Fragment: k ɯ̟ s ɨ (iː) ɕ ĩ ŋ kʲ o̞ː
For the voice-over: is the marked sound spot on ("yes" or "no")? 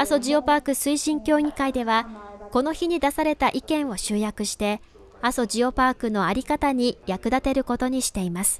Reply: no